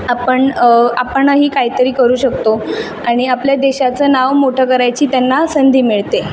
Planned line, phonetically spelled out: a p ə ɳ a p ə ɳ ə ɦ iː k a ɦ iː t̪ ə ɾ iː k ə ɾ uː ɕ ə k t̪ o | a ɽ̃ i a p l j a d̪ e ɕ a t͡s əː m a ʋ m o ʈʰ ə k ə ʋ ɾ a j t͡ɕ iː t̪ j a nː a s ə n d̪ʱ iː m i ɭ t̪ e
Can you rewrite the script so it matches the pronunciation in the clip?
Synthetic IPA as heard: a p ə ɳ a p ə ɳ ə ɦ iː k a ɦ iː t̪ ə ɾ iː k ə ɾ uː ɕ ə k t̪ o | a ɽ̃ i a p l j a d̪ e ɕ a t͡s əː n a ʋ m o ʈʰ ə k ə ɾ a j t͡ɕ iː t̪ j a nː a s ə n d̪ʱ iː m i ɭ t̪ e